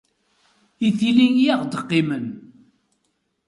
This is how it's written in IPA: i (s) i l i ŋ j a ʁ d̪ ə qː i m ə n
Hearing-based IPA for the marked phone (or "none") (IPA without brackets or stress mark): θ